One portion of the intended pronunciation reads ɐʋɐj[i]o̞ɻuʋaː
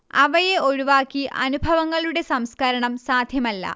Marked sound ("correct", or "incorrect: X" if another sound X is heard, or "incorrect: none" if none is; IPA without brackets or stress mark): incorrect: e